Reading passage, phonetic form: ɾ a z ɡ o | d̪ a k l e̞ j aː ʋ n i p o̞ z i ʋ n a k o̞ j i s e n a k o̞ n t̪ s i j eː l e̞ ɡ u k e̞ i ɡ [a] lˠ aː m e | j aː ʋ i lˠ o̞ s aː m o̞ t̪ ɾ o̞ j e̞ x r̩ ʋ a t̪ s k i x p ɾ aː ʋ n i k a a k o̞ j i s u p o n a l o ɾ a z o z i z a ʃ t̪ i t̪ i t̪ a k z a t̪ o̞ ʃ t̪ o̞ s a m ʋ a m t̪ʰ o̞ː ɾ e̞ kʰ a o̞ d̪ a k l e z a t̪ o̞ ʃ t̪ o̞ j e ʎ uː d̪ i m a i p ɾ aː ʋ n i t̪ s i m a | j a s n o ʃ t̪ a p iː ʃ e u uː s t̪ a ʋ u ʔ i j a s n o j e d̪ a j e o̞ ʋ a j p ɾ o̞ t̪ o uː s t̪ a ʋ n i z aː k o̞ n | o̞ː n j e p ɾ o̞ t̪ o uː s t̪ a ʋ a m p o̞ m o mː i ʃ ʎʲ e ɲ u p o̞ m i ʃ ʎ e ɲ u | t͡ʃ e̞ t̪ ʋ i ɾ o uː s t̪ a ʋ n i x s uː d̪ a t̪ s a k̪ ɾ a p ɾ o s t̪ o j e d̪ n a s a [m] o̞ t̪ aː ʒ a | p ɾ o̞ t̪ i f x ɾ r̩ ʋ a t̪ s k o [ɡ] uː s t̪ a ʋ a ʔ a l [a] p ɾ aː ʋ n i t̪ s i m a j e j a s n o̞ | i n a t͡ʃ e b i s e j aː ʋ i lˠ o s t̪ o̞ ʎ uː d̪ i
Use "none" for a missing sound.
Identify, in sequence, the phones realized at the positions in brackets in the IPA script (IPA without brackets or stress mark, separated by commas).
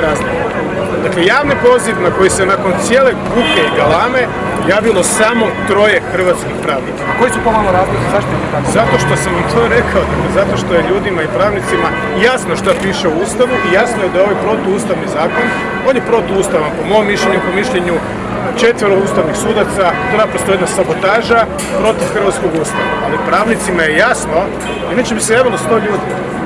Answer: a, b, ɡ, i